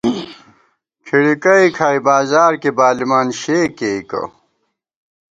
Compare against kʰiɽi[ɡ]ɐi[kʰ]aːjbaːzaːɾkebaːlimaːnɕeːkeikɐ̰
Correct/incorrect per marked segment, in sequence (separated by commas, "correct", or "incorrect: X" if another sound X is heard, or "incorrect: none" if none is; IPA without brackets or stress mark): incorrect: k, correct